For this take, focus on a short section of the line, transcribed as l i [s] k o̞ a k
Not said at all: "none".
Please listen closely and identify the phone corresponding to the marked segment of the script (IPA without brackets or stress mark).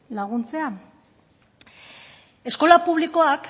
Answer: none